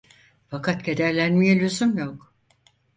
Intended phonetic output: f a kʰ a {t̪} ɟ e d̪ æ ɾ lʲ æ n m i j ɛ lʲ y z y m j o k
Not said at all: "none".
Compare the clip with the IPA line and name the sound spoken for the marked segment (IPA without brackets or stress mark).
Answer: t̪